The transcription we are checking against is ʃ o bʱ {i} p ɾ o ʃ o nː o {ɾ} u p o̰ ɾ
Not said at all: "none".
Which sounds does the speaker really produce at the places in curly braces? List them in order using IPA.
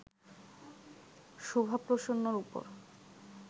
a, ɾ

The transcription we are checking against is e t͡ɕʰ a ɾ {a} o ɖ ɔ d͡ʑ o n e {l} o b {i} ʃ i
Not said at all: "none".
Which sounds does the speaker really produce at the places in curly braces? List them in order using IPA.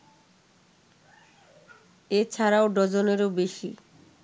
a, ɾ, e

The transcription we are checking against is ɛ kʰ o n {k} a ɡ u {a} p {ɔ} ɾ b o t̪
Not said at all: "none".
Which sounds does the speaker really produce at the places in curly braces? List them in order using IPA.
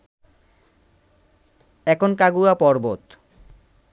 k, a, ɔ

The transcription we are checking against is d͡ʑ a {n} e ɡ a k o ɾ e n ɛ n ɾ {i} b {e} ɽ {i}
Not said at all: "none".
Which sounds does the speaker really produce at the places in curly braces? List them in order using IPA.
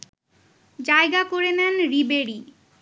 none, i, e, i

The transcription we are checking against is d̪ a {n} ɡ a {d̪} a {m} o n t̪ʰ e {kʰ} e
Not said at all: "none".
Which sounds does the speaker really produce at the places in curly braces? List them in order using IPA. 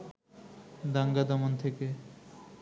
ŋ, d̪, m, k

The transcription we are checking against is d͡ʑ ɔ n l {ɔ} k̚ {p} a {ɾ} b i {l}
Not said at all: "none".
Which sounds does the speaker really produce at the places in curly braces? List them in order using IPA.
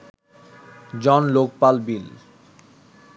o, p, l, l

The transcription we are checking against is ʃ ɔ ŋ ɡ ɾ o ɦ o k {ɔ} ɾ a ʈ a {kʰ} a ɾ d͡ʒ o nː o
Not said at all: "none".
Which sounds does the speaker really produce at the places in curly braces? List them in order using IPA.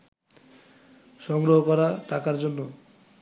ɔ, k

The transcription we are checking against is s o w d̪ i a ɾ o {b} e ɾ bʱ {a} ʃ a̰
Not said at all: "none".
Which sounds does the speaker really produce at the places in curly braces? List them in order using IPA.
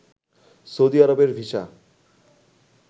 b, i

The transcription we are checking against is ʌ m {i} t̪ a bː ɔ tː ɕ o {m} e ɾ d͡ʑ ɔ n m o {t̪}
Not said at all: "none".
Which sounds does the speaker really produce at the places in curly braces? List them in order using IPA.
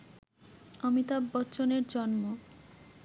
i, n, none

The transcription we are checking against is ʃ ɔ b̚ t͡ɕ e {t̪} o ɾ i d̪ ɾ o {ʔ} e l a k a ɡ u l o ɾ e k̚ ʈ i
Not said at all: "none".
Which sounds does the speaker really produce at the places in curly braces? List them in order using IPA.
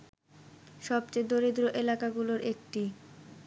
d̪, ʔ

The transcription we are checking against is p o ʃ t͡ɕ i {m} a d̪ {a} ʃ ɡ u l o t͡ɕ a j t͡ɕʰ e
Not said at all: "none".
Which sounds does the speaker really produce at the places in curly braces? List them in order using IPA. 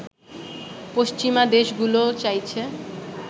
m, e

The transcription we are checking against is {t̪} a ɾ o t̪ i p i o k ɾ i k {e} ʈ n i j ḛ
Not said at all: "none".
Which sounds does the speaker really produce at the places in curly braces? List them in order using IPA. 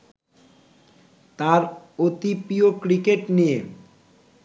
t̪, e

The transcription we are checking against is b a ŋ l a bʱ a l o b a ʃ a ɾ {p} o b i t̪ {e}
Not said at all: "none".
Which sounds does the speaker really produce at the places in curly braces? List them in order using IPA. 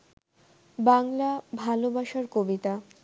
k, a

